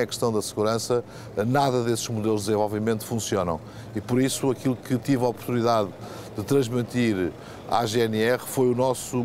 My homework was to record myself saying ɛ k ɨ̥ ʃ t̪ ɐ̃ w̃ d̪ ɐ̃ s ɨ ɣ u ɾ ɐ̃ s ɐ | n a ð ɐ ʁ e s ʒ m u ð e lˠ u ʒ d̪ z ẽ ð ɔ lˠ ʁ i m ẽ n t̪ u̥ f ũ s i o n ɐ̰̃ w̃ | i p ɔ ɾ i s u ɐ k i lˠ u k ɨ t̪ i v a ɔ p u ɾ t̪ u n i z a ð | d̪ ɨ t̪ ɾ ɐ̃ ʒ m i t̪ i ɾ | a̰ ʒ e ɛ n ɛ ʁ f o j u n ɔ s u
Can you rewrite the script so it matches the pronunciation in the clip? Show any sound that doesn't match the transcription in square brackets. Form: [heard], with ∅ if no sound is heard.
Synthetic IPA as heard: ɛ k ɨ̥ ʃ t̪ ɐ̃ w̃ d̪ [ɐ] s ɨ ɣ u ɾ ɐ̃ s ɐ | n a ð ɐ [ð] e s ʒ m u ð e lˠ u ʒ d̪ z ẽ [v] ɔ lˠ [v] i m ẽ n t̪ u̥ f ũ s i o n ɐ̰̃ w̃ | i p ɔ ɾ i s u ɐ k i lˠ u k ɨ t̪ i v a ɔ p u ɾ t̪ u n i [ð] a ð | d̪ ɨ t̪ ɾ ɐ̃ ʒ m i t̪ i ɾ | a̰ ʒ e ɛ n ɛ ʁ f o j u n ɔ s u